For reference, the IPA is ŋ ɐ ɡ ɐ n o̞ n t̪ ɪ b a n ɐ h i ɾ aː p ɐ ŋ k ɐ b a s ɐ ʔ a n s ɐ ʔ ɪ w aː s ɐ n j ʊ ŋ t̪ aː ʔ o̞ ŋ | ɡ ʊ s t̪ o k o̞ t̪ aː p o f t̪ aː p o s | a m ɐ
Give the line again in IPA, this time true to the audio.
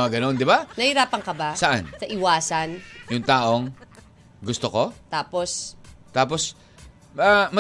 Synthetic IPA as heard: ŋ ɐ ɡ ɐ n o̞ n d̪ ɪ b a n ɐ h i ɾ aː p ɐ ŋ k ɐ b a s ɐ ʔ a n s ɐ ʔ ɪ w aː s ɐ n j ʊ ŋ t̪ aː ʔ o̞ ŋ | ɡ ʊ s t̪ o k o̞ t̪ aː p o s t̪ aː p o s | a m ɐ